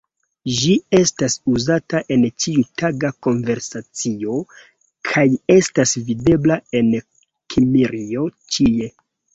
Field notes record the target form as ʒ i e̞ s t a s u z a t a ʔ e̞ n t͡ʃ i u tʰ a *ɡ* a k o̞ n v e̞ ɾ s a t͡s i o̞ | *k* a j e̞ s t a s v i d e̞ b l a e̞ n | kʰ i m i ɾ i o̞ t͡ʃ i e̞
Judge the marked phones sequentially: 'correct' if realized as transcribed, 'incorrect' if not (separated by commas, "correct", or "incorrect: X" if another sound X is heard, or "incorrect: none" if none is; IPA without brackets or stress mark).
correct, incorrect: kʰ